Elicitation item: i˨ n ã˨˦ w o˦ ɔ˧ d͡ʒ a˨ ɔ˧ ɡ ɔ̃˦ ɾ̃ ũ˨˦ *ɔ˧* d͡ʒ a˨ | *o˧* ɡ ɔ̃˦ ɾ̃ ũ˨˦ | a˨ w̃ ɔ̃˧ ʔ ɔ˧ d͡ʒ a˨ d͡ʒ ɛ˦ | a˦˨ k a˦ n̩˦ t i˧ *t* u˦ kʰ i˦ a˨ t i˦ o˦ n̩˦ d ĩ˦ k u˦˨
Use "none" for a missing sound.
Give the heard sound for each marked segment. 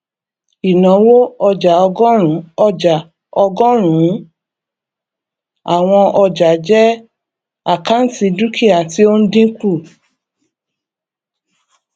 ɔ˧, ɔ˧, d

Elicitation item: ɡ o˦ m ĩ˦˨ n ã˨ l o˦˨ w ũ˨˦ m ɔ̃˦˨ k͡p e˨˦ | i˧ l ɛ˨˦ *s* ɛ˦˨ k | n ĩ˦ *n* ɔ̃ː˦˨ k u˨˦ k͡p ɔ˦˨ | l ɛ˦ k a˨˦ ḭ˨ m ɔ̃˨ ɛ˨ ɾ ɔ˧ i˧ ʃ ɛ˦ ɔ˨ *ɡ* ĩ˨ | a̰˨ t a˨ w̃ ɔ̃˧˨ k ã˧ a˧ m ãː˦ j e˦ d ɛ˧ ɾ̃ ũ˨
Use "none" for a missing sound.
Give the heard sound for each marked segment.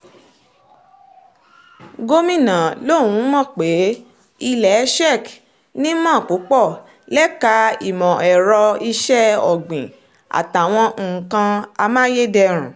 ʃ, m, ɡ͡b

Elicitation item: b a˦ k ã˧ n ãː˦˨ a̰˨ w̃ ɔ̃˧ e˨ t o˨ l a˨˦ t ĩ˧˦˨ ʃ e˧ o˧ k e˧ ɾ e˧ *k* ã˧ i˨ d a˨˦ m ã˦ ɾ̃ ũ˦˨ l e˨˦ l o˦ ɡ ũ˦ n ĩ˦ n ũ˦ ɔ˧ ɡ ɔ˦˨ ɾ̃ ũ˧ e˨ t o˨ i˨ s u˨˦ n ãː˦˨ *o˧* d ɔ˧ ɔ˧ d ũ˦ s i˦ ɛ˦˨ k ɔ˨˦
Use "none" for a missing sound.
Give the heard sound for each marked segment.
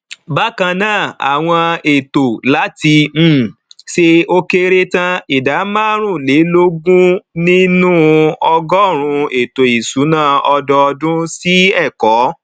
t, ɔ˧

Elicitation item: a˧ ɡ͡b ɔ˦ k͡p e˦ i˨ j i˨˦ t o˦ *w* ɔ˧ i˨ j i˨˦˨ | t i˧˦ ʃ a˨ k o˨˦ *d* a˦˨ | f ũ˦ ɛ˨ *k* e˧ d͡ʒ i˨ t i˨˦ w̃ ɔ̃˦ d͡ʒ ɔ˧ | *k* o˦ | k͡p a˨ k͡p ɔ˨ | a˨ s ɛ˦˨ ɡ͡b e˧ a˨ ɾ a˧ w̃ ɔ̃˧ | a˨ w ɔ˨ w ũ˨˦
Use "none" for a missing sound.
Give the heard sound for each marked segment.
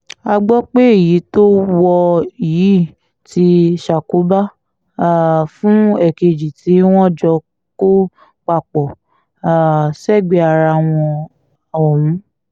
w, b, k, k

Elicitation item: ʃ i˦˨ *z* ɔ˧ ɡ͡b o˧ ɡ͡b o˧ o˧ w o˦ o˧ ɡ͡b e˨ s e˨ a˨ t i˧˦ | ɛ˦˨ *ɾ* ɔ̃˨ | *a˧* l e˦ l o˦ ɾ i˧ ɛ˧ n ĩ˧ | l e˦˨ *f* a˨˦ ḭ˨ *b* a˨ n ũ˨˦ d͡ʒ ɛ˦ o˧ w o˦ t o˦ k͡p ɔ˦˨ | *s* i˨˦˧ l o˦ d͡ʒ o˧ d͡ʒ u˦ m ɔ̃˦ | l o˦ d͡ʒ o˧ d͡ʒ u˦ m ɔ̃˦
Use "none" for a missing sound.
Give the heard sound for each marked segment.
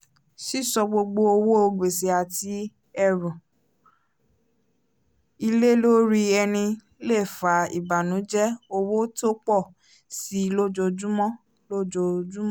s, ɾ, i˧, f, b, s

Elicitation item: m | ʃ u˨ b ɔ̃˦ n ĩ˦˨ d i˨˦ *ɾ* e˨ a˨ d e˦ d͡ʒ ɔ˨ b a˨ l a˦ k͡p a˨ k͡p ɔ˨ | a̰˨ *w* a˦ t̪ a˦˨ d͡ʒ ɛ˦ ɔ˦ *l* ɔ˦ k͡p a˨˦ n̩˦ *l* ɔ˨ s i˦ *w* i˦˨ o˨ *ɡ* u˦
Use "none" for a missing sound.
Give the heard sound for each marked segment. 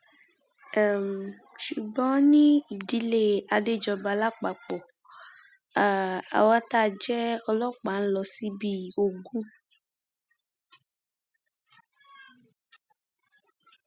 l, w, l, l, b, ɡ

